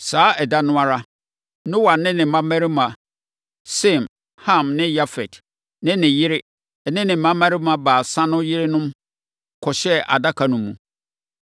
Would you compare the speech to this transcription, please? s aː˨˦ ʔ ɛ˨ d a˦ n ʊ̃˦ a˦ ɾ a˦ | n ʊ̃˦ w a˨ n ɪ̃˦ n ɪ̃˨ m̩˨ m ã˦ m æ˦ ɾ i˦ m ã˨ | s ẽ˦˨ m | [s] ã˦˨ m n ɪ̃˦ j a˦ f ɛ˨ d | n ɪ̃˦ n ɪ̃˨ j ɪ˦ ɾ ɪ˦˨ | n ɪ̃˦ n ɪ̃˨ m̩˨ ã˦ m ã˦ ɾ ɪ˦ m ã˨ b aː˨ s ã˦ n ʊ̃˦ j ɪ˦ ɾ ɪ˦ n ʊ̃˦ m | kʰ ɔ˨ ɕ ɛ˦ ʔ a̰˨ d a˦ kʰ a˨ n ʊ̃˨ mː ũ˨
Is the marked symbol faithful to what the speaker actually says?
no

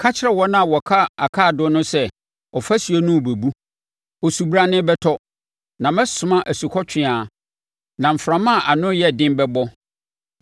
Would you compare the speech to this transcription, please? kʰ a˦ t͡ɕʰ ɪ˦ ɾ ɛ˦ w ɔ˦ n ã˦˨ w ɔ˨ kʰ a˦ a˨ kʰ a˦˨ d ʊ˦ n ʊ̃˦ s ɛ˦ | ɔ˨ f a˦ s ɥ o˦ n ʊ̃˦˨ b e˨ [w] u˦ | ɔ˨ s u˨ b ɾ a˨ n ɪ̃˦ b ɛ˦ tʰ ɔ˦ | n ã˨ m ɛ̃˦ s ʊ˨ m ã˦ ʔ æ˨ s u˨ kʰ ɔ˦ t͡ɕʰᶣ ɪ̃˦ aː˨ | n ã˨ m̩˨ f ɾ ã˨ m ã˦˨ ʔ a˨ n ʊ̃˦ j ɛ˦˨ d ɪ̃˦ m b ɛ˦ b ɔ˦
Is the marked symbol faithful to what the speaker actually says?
no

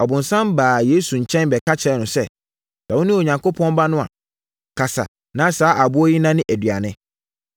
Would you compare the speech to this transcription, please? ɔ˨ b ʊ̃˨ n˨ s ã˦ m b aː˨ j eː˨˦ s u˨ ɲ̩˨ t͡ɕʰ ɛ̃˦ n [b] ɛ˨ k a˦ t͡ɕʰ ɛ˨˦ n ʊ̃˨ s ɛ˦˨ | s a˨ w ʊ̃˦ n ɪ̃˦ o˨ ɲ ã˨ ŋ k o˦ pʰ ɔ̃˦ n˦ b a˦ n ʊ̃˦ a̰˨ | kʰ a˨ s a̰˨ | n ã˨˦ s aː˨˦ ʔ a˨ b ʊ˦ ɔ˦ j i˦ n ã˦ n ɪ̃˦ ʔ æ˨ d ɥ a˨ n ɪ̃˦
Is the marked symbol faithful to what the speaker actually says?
yes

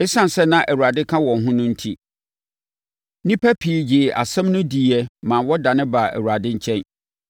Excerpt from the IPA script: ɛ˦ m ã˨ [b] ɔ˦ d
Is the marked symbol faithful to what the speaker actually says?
no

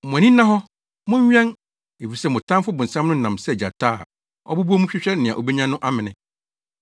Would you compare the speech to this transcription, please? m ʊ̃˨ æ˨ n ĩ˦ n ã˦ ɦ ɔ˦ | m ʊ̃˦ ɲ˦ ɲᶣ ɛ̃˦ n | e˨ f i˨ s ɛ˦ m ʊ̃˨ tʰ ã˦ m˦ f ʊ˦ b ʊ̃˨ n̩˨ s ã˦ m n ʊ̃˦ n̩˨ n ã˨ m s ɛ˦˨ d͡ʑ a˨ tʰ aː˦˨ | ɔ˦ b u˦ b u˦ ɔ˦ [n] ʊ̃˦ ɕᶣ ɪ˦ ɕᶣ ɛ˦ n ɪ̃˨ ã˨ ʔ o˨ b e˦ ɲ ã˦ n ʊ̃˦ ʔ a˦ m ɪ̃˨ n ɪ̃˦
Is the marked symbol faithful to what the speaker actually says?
no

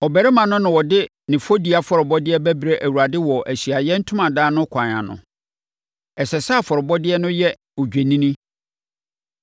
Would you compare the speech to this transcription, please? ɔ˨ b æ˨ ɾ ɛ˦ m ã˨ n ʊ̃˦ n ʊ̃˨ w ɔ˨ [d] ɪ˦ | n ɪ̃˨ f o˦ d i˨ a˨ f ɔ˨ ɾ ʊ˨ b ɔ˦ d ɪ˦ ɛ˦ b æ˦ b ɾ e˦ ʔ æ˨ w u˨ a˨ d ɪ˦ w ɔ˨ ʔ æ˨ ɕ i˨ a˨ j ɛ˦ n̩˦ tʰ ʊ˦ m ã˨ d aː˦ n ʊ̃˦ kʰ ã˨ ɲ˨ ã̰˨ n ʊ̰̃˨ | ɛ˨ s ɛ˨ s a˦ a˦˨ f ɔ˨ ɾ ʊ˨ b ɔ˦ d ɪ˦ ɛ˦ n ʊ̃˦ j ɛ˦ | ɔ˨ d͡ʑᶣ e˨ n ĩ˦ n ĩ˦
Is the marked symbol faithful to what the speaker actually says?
yes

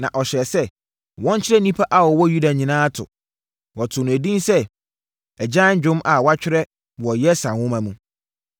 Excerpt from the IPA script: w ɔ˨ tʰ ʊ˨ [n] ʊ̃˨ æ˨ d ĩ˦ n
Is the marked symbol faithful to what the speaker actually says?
yes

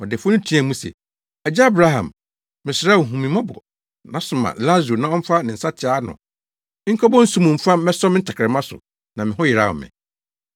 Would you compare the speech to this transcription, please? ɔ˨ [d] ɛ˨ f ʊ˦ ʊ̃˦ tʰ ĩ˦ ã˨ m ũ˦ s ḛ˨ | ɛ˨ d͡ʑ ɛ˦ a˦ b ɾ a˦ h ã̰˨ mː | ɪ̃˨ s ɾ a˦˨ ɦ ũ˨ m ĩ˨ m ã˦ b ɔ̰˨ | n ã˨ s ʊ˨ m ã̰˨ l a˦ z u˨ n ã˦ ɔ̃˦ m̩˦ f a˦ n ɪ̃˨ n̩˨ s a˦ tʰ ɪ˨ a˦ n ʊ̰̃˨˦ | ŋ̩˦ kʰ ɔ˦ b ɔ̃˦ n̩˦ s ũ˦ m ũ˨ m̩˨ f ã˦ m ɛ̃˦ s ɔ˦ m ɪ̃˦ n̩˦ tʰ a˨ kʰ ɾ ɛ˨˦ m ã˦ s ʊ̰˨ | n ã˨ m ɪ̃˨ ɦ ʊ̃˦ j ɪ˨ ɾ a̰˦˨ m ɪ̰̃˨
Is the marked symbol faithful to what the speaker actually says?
yes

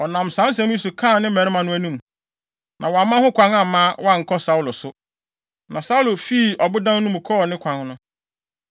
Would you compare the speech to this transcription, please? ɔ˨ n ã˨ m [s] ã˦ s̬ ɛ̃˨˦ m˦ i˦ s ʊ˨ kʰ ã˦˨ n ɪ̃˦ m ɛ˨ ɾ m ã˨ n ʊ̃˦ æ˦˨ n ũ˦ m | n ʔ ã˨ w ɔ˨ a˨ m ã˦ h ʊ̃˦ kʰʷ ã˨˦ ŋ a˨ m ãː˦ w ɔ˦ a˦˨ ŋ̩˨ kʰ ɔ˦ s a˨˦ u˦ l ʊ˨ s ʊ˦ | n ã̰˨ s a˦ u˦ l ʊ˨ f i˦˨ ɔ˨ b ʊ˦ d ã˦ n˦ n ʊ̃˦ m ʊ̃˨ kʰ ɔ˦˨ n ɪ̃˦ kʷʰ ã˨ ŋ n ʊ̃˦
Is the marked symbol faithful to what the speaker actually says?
yes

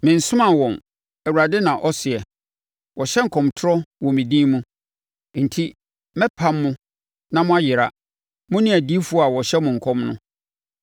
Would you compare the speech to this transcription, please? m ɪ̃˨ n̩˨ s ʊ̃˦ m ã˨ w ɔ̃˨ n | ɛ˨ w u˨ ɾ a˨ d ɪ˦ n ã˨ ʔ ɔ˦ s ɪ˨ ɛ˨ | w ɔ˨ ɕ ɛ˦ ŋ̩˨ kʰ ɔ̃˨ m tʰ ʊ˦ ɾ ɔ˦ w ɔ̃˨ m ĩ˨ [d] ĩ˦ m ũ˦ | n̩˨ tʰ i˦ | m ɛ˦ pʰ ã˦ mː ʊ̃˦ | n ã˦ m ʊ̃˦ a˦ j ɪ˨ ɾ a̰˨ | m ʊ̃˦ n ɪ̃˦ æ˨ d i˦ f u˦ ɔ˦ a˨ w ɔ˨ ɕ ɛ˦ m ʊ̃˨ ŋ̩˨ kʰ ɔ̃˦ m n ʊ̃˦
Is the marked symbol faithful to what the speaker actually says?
yes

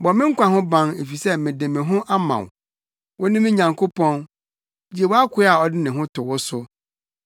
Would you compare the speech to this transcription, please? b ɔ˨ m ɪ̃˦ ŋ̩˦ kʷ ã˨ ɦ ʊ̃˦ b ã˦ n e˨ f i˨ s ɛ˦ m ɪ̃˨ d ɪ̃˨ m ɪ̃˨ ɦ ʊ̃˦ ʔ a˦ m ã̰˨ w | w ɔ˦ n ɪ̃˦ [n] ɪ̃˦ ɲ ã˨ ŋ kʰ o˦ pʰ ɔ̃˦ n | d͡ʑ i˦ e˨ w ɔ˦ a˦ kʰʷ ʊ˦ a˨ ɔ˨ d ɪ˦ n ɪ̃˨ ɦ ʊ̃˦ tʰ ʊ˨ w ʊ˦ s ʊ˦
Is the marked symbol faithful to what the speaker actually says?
no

